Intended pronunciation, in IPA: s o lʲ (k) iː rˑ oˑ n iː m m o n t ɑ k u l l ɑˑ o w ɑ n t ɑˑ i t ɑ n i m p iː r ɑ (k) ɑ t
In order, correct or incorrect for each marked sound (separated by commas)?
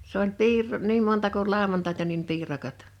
incorrect, correct